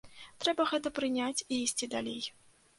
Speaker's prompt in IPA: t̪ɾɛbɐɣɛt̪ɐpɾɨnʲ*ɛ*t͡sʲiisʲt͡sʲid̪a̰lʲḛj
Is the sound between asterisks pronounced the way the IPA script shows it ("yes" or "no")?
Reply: no